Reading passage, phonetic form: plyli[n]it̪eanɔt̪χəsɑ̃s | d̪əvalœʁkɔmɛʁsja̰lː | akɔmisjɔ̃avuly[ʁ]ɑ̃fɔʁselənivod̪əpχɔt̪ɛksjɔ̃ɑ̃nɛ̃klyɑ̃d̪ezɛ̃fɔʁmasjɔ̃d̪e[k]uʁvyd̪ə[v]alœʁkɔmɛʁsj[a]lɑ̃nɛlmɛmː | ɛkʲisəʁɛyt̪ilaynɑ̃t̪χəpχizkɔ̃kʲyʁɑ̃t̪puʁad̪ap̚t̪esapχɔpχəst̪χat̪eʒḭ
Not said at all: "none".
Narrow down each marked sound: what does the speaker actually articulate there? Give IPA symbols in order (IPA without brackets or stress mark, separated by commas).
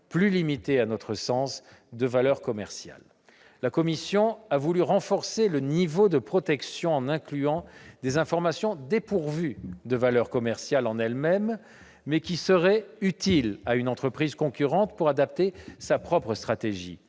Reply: m, ʁ, p, v, a